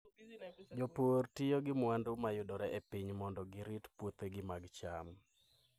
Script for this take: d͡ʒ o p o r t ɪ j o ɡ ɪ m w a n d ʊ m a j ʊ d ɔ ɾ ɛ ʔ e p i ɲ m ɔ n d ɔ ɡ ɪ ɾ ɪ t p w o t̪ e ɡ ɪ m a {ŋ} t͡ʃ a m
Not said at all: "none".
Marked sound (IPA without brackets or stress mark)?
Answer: ɡ